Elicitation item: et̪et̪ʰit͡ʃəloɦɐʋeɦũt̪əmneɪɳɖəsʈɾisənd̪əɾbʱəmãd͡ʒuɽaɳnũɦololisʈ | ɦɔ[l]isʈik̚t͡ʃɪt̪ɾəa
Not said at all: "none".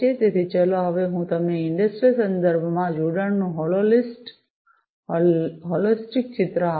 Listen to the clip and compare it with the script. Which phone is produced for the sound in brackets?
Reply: l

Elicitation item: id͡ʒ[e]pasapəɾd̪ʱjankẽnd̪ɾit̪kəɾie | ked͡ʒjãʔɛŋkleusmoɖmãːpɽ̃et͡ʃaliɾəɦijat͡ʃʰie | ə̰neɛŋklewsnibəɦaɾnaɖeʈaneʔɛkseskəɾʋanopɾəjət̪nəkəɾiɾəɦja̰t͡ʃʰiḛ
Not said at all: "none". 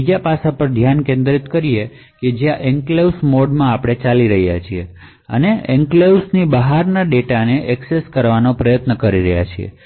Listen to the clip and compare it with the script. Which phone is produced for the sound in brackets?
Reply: a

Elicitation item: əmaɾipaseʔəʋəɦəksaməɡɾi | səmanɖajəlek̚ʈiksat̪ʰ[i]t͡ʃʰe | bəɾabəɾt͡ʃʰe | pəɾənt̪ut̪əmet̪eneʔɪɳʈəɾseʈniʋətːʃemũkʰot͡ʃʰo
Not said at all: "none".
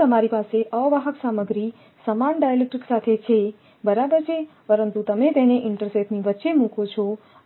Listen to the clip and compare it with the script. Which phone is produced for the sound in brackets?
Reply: e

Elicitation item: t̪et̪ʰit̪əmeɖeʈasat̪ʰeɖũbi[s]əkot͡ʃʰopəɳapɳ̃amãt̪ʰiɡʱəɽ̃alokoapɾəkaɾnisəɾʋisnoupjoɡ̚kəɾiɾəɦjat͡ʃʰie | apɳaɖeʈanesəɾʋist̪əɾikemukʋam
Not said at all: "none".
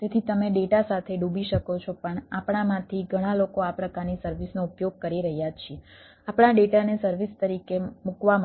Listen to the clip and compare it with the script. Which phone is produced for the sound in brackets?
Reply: ʃ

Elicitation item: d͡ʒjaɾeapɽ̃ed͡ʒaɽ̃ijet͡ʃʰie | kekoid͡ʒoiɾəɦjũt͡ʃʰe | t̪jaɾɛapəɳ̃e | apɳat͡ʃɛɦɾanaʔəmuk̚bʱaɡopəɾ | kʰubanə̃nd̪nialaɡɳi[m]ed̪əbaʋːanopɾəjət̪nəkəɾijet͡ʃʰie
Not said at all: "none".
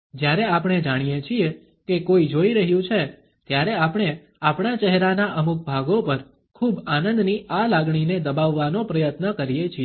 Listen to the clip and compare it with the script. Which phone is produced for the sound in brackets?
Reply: n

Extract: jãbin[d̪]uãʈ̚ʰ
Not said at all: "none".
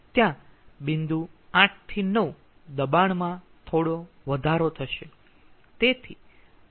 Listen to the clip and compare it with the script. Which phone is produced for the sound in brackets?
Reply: d̪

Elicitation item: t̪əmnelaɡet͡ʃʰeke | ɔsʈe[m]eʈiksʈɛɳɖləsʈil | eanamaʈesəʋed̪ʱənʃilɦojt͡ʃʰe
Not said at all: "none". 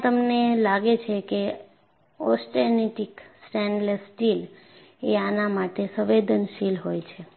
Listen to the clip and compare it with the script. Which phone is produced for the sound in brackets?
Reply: n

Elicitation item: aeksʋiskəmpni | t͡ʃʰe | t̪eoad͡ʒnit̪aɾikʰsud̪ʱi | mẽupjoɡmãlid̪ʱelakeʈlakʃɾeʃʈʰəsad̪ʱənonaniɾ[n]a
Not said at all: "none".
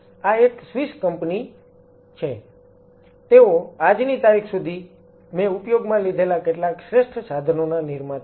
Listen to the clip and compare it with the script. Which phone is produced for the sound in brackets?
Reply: m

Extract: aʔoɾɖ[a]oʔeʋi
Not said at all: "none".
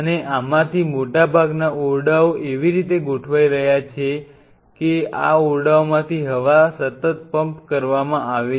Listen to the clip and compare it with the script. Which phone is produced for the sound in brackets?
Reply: a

